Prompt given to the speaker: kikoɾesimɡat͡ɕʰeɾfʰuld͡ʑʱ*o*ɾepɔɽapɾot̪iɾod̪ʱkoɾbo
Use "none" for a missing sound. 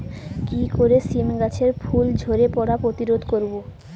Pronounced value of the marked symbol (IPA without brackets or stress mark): o